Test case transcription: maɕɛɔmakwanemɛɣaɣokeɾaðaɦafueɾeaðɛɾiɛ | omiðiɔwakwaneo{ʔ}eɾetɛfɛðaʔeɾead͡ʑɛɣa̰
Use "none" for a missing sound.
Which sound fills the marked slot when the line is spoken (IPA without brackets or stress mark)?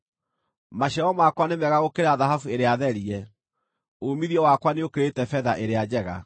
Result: k